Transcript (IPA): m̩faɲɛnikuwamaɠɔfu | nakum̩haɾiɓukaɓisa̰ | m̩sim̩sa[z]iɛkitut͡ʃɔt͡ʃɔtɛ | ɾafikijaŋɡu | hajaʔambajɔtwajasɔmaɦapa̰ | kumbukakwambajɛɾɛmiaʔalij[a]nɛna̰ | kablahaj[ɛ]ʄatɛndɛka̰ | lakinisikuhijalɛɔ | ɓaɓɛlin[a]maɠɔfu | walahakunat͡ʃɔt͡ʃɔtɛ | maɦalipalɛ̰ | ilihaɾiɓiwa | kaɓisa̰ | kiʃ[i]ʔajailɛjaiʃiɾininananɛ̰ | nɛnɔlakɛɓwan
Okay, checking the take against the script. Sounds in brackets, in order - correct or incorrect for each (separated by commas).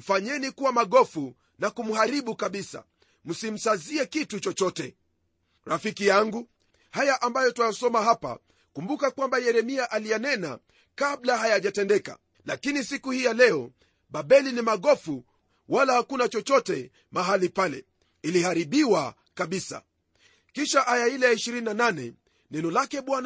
correct, correct, incorrect, incorrect, incorrect